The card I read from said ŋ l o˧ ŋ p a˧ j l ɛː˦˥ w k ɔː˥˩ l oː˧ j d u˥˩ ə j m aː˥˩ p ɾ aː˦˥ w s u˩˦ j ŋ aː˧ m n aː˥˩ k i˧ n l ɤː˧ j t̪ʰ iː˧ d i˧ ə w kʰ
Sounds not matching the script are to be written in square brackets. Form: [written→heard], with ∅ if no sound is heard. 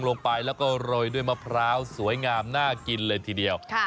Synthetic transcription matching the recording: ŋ l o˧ ŋ p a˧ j l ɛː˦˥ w k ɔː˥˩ [l→ɾ] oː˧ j d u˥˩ ə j m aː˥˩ [p→pʰ] ɾ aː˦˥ w s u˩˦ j ŋ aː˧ m n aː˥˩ k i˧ n l ɤː˧ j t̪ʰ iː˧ d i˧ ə w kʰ